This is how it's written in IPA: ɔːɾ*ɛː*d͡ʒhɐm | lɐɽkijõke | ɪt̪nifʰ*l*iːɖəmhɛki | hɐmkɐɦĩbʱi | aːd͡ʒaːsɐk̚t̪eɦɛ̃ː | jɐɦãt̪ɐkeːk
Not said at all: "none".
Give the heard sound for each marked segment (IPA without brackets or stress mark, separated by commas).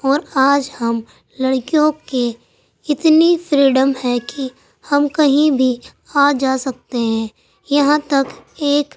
aː, ɾ